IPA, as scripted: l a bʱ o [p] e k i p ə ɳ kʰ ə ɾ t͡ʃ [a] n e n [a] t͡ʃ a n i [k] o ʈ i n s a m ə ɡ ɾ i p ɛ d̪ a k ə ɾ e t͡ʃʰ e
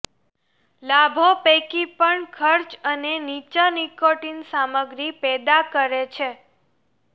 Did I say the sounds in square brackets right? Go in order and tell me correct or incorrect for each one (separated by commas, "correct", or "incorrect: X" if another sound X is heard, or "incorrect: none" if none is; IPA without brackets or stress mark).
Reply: correct, incorrect: ə, incorrect: i, correct